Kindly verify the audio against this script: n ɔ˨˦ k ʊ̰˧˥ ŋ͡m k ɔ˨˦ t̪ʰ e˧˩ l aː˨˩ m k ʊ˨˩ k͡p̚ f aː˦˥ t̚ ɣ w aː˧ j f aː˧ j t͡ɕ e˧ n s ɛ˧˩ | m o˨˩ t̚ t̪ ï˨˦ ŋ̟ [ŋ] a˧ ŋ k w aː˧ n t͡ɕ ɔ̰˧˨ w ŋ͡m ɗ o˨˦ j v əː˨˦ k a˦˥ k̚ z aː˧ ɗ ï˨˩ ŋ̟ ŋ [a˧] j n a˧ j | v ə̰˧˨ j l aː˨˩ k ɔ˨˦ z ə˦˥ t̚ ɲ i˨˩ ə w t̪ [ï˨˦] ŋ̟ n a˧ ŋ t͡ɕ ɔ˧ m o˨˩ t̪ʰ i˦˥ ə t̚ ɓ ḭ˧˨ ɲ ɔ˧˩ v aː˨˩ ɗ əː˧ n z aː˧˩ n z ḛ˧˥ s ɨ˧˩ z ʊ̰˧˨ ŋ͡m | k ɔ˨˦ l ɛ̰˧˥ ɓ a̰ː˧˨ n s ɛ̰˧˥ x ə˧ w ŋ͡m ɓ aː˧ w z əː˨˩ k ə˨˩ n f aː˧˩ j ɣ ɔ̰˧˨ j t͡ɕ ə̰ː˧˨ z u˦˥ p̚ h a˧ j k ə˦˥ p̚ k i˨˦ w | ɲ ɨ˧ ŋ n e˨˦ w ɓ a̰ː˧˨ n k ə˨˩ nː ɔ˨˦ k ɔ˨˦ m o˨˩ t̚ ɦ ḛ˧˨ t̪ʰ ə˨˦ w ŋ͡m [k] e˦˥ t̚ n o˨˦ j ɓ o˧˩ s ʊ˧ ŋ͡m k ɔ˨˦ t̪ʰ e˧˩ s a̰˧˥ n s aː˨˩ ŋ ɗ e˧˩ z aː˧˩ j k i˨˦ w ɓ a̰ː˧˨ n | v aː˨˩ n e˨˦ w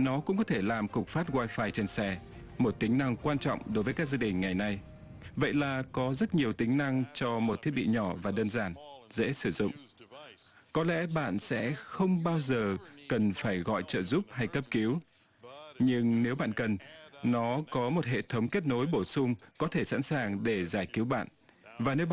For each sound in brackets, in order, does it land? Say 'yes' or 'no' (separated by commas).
no, no, yes, yes